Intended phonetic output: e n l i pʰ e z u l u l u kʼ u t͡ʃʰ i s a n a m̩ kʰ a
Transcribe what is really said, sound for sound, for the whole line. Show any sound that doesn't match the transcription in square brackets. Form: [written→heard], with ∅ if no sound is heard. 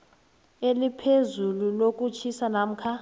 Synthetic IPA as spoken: e [n→∅] l i pʰ e z u l u l [u→o] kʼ u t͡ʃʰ i s a n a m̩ kʰ a